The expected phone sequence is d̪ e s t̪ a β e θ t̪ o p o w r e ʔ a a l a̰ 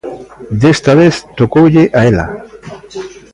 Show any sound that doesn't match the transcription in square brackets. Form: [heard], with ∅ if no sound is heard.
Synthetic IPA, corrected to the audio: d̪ e s t̪ a β e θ t̪ o [k] o w [ʎ] e ʔ a [e] l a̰